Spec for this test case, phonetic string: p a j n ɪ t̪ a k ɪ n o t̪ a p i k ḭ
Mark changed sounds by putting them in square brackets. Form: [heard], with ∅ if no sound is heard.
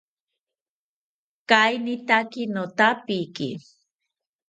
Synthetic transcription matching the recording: [k] a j n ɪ t̪ a k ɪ n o t̪ a p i k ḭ